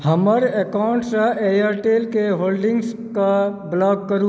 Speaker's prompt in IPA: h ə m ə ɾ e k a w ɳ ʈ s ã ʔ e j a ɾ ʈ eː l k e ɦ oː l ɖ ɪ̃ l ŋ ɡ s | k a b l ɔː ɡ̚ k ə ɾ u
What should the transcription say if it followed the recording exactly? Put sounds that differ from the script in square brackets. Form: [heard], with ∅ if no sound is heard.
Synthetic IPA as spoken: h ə m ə ɾ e k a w ɳ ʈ s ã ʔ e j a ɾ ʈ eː l k e ɦ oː l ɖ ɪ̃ [∅] ŋ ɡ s | k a b l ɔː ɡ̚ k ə ɾ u